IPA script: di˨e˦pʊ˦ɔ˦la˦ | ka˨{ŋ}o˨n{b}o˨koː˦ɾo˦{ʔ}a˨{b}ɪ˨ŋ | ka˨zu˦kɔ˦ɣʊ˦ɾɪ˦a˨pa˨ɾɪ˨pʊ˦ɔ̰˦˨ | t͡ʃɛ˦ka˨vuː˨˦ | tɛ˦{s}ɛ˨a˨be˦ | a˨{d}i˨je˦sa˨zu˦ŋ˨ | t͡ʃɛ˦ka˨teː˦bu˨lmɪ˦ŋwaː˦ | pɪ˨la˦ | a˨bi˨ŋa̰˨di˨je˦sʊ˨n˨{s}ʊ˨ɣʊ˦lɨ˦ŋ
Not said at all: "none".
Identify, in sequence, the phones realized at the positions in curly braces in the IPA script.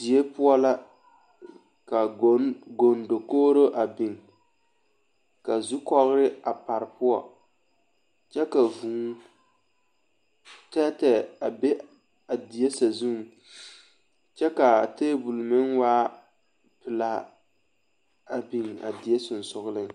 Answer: ɡ, d, ʔ, b, t, d, s

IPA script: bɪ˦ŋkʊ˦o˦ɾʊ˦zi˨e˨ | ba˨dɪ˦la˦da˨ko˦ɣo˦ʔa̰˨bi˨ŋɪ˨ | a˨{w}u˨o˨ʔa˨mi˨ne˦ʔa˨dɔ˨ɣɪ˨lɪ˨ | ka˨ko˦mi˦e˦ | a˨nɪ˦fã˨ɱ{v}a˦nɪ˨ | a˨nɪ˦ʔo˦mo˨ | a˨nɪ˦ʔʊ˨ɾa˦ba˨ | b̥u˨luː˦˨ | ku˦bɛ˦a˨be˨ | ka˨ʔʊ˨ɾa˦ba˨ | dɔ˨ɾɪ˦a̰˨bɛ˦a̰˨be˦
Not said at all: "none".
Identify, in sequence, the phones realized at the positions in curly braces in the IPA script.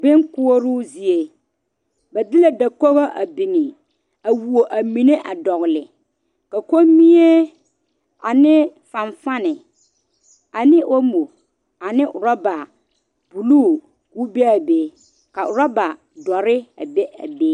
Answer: w, f

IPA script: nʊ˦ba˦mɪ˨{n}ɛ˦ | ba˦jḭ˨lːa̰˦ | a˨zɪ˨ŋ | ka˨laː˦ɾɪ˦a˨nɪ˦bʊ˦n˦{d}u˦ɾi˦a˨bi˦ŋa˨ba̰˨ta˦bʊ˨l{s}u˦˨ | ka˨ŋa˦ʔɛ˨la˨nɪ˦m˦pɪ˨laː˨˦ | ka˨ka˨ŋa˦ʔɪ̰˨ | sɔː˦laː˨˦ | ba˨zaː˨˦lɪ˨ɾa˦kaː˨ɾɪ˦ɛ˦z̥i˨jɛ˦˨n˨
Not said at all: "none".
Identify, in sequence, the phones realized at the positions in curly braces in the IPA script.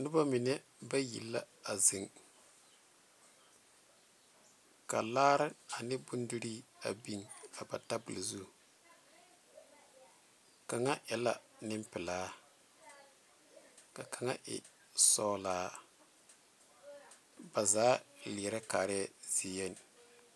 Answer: n, d, z

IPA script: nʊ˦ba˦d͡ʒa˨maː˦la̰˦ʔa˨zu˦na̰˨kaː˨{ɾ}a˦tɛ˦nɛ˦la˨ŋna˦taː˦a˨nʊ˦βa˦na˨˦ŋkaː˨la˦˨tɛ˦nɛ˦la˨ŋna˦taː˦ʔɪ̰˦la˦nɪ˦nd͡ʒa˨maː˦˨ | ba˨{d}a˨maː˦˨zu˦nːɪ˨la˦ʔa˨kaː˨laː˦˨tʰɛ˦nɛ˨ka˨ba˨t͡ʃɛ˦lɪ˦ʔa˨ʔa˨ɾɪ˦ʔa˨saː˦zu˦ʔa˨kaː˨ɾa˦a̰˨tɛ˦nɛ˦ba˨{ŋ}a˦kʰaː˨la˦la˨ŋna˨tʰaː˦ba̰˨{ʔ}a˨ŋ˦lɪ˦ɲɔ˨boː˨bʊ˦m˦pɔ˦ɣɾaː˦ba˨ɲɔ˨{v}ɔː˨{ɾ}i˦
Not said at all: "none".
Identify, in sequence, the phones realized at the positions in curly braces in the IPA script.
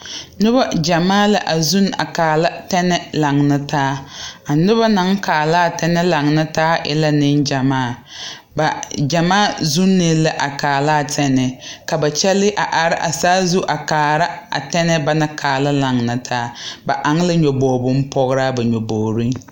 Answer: l, d͡ʒ, n, ʔ, b, ɾ

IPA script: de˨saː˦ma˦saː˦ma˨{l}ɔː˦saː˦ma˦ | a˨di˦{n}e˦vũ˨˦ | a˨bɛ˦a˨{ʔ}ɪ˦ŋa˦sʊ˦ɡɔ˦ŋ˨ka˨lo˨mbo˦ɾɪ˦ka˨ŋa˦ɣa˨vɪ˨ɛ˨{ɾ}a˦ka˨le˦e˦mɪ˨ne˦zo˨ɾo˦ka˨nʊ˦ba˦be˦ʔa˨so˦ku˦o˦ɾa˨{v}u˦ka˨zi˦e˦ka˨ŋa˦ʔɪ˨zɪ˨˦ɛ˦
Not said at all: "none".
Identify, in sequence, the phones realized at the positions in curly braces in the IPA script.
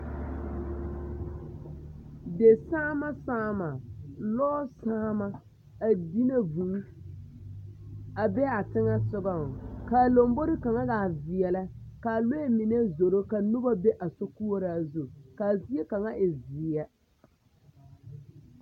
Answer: l, n, t, l, z

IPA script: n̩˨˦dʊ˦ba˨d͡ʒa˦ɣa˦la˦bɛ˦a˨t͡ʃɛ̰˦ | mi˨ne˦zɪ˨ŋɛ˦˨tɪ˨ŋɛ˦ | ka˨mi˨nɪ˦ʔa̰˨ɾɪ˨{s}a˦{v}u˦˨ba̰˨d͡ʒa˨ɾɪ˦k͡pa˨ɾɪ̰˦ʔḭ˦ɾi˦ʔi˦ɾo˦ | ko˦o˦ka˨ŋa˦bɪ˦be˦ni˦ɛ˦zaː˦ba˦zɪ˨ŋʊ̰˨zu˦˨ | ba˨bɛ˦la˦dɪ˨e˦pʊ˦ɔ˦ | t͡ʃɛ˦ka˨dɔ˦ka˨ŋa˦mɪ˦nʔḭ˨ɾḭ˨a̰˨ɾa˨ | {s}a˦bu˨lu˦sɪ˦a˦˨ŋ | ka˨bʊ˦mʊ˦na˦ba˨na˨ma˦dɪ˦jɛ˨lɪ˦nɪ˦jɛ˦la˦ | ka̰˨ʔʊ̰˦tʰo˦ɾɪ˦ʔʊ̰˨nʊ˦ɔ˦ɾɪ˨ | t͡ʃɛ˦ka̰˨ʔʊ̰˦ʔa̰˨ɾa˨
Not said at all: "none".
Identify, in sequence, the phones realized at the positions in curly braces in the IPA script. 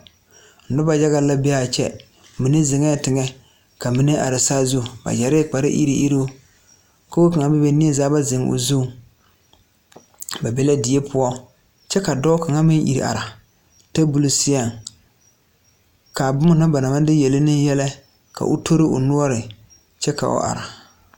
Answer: s, z, t

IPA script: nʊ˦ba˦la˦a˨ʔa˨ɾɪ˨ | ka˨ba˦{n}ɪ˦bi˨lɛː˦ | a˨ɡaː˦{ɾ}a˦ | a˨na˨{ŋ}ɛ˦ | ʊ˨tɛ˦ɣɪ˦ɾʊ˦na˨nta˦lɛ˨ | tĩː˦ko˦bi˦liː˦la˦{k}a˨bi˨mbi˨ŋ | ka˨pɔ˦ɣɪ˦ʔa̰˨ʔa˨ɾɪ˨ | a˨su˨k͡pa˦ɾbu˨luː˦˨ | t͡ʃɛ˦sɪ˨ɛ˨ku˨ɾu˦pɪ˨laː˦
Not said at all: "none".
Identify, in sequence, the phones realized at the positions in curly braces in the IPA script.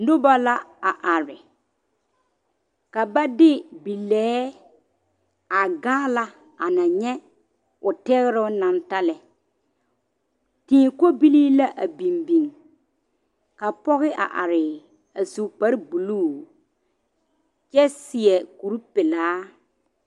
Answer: d, l, ɲ, ʔ

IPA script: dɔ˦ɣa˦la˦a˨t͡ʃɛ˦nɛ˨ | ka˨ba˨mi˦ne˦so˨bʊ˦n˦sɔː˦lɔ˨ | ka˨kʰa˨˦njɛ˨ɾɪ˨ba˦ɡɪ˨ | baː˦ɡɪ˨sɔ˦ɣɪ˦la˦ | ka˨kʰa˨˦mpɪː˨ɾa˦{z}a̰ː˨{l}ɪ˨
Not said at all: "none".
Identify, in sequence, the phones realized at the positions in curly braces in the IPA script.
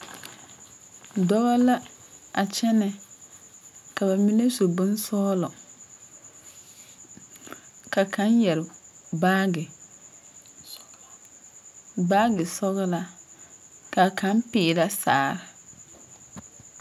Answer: s, ɾ

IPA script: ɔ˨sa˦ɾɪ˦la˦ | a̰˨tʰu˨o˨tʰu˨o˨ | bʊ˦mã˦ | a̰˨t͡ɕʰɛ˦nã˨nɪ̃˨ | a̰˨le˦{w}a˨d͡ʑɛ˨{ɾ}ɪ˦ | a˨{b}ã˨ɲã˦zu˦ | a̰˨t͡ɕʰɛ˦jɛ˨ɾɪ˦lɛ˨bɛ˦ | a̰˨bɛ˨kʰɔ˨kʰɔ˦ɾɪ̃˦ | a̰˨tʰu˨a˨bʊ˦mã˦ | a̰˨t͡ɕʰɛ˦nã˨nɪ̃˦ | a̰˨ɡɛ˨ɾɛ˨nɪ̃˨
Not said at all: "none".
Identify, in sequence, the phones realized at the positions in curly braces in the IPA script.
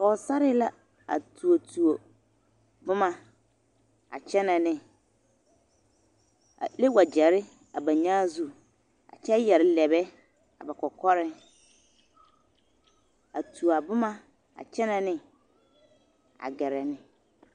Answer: w, ɾ, b

